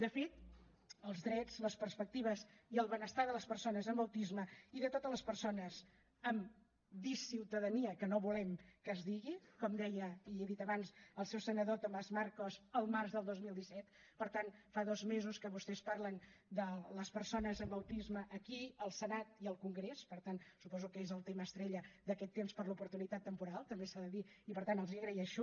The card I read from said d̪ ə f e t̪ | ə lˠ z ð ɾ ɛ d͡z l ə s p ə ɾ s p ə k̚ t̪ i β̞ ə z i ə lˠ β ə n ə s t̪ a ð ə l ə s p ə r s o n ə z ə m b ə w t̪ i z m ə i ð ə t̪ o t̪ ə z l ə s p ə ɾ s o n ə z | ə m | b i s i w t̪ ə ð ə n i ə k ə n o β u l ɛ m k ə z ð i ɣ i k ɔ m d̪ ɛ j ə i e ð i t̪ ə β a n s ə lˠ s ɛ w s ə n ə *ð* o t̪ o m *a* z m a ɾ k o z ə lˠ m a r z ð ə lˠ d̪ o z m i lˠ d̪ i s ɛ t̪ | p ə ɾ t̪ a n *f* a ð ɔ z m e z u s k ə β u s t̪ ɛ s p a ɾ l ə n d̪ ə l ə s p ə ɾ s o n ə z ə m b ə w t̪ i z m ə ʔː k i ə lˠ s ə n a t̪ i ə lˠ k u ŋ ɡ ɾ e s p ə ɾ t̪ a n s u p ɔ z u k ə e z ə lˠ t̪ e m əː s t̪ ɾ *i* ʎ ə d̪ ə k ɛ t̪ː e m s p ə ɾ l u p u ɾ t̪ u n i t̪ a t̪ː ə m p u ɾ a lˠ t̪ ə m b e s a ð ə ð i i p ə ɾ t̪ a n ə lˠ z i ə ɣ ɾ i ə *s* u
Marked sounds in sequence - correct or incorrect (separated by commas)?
correct, correct, correct, incorrect, incorrect